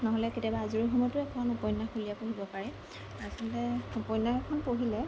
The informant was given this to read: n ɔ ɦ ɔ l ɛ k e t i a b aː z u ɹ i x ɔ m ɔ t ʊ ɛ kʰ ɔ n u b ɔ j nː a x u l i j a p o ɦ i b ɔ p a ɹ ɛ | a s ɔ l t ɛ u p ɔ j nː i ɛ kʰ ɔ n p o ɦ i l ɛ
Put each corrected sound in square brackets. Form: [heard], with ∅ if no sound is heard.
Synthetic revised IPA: n ɔ ɦ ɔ l ɛ k e t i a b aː z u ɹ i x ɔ m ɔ t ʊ ɛ kʰ ɔ n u [p] ɔ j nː a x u l i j a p o ɦ i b ɔ p a ɹ ɛ | a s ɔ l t ɛ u p ɔ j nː [a] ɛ kʰ ɔ n p o ɦ i l ɛ